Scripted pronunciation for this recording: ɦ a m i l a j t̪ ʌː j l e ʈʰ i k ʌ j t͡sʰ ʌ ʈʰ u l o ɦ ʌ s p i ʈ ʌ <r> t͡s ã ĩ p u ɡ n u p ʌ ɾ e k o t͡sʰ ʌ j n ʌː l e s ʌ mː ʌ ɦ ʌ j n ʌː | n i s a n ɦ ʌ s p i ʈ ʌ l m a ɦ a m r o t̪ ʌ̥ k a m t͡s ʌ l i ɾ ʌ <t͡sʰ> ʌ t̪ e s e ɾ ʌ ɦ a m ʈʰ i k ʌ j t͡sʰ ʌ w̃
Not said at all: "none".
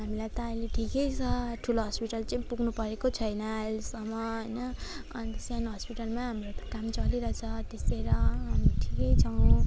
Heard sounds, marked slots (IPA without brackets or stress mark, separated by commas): l, t͡sʰ